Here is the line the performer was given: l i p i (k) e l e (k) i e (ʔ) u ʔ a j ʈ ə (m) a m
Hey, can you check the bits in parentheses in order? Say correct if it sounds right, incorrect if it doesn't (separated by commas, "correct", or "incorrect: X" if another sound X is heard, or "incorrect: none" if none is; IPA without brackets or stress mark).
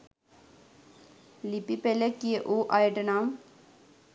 incorrect: p, correct, correct, incorrect: n